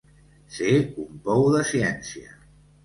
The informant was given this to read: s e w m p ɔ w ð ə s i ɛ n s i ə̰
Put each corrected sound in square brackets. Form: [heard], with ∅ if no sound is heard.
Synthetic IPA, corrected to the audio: s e [u] m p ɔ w ð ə s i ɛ n s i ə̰